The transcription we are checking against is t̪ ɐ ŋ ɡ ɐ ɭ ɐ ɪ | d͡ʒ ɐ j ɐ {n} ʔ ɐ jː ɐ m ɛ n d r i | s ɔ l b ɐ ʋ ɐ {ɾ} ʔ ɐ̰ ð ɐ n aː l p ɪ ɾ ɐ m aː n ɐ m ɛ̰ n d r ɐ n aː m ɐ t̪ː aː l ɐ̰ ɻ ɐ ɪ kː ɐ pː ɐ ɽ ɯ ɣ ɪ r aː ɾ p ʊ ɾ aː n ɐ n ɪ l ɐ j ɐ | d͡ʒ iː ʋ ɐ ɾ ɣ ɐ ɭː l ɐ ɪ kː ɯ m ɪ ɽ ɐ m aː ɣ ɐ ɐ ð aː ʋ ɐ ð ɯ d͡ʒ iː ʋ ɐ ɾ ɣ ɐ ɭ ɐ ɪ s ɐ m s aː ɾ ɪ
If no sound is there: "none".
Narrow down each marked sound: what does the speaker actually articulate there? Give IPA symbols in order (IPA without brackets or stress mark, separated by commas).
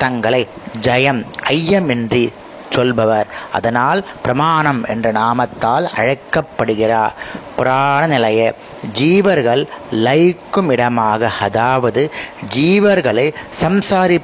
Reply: m, ɾ